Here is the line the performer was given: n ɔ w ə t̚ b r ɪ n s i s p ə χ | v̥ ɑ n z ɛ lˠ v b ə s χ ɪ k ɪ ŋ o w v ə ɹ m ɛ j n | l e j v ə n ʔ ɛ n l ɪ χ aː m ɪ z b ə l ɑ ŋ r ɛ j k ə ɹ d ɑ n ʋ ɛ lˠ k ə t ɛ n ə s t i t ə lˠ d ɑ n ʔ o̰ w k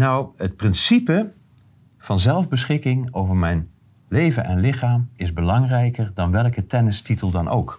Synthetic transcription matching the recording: n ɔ w ə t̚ p r ɪ n s i p ə | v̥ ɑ n z ɛ lˠ v b ə s χ ɪ k ɪ ŋ o w v ə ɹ m ɛ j n | l e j v ə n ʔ ɛ n l ɪ χ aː m ɪ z b ə l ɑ ŋ r ɛ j k ə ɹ d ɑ n ʋ ɛ lˠ k ə t ɛ n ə s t i t ə lˠ d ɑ n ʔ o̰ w k